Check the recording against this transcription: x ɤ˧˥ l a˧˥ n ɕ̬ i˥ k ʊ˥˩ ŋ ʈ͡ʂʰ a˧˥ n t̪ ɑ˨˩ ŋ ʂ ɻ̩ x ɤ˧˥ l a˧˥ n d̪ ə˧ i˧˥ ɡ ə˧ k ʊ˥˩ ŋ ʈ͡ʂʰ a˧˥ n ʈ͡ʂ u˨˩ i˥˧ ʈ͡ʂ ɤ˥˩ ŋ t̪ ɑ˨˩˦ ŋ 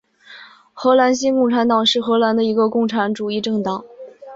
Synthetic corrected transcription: x ɤ˧˥ l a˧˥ n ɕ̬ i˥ k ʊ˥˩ ŋ ʈ͡ʂʰ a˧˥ n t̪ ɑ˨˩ ŋ ʂ ɻ̩ x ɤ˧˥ l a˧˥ n d̪ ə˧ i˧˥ ɡ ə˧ k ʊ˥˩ ŋ ʈ͡ʂʰ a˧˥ n ʈ͡ʂ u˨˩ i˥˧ ʈ͡ʂ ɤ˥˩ ŋ t̪ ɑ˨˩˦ ŋ